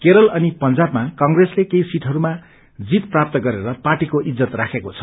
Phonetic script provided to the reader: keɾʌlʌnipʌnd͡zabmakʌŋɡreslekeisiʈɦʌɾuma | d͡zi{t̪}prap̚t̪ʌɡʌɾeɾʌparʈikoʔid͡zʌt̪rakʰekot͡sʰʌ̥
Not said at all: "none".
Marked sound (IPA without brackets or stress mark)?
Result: t̪